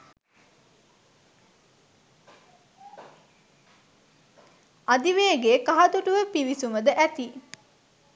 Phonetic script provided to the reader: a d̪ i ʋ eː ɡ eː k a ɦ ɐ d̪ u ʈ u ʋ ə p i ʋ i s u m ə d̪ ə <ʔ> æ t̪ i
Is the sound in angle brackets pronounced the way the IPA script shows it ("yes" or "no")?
yes